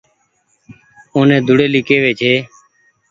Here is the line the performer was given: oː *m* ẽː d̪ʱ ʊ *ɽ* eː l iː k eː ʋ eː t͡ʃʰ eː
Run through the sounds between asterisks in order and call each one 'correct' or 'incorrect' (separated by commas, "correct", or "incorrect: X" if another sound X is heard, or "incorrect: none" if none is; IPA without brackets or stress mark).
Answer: incorrect: n, correct